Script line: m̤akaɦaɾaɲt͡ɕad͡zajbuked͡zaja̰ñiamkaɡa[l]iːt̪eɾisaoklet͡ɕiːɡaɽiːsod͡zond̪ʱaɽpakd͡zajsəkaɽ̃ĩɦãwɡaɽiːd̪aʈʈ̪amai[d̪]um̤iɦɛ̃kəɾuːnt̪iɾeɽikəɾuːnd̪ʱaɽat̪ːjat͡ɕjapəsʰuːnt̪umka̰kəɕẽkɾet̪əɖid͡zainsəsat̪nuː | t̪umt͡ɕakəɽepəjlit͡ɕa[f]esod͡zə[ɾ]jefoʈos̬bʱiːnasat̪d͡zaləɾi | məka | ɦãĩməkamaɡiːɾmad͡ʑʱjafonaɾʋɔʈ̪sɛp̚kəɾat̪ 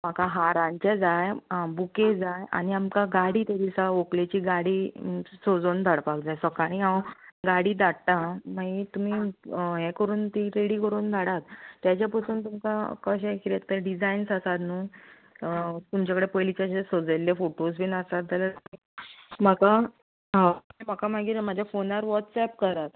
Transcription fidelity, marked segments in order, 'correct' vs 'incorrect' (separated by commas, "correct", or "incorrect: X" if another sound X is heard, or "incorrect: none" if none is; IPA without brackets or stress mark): incorrect: ɽ, incorrect: t̪, incorrect: ɕ, incorrect: l